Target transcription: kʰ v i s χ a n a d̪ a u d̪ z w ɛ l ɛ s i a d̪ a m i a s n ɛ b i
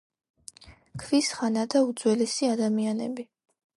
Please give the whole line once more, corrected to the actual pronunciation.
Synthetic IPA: kʰ v i s χ a n a d̪ a u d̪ z w ɛ l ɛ s i a d̪ a m i a n ɛ b i